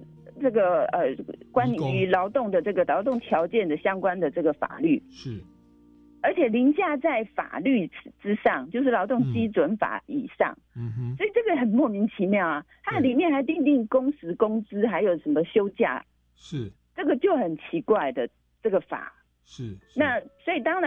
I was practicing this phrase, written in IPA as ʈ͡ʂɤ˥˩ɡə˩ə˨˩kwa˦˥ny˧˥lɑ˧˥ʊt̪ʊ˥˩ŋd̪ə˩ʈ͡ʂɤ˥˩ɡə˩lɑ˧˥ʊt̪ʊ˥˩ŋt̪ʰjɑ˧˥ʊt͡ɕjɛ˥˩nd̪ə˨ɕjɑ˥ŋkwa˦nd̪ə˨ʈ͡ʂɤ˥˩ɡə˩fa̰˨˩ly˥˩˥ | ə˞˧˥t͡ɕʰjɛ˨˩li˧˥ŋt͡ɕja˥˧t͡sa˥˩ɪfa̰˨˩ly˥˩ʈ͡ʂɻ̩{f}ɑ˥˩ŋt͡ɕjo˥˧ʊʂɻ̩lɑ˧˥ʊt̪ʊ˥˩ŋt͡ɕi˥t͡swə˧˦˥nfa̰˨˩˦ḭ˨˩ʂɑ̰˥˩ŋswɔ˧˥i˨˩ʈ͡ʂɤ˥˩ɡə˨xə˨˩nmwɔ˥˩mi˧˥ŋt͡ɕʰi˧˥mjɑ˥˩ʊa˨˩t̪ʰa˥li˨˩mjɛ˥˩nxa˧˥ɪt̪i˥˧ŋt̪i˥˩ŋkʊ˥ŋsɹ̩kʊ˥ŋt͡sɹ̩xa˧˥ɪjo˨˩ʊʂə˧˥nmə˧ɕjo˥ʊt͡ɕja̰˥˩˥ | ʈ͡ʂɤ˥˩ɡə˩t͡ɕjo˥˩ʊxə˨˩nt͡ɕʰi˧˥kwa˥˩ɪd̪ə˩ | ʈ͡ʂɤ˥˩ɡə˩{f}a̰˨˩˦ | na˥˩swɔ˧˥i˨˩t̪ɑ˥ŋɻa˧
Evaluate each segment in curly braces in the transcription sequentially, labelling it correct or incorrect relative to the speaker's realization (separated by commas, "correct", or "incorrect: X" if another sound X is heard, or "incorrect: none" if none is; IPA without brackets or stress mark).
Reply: incorrect: ʂ, correct